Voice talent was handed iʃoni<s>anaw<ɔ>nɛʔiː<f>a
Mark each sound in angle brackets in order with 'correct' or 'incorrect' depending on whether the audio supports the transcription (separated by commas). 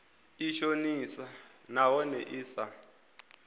correct, correct, incorrect